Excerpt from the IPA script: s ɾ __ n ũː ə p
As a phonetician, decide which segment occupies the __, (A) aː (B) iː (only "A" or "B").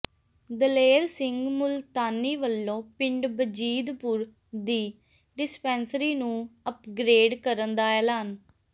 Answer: B